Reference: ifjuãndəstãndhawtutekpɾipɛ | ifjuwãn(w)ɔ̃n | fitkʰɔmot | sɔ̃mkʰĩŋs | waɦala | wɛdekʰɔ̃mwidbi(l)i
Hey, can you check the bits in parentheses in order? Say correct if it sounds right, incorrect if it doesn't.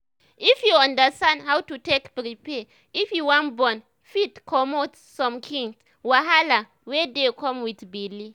incorrect, correct

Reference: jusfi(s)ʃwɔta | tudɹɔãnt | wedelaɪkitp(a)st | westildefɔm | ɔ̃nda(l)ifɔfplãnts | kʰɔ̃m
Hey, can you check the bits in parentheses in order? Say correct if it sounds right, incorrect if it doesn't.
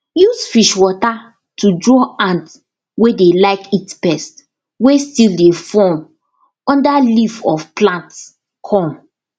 incorrect, incorrect, correct

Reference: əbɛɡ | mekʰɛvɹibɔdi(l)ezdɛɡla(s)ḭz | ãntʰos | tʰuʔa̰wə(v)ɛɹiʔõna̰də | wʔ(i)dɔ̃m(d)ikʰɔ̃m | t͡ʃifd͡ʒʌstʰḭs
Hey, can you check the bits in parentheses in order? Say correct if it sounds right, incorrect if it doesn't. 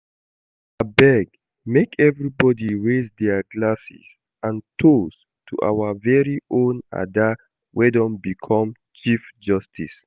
incorrect, correct, correct, incorrect, incorrect

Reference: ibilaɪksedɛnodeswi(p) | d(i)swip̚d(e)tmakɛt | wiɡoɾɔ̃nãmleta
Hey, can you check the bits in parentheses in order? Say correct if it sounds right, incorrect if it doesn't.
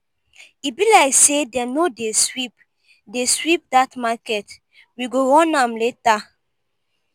correct, incorrect, incorrect

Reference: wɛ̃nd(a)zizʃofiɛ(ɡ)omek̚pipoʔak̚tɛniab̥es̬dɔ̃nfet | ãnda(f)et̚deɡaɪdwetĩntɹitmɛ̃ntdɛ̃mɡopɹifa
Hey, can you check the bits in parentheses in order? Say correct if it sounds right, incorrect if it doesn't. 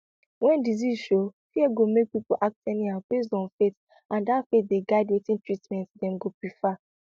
incorrect, correct, correct

